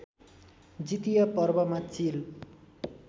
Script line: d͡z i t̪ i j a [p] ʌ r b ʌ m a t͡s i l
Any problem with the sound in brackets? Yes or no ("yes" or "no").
no